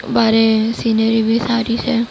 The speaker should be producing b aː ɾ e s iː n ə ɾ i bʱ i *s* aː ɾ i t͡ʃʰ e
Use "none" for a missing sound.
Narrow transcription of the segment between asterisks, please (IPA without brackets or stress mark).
s